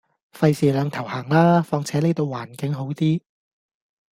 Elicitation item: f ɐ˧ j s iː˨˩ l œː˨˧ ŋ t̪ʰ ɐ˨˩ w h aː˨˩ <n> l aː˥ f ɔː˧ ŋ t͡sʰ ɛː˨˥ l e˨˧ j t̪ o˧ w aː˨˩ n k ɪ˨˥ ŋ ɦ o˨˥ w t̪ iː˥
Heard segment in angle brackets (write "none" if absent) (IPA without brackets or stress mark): ŋ